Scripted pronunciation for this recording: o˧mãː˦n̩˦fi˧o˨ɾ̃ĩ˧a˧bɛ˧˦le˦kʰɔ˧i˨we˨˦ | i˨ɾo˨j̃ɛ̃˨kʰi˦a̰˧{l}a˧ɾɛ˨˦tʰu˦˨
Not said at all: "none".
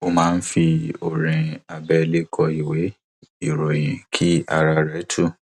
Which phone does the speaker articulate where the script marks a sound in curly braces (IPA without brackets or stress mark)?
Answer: ɾ